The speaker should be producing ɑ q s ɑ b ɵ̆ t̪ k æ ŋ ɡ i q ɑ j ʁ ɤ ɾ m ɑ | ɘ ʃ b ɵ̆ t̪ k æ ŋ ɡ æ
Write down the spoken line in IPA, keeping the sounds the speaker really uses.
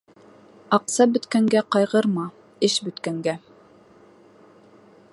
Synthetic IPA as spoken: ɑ q s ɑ b ɵ̆ t̪ k æ ŋ ɡ æ q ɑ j ʁ ɤ ɾ m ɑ | ɘ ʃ b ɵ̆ t̪ k æ ŋ ɡ æ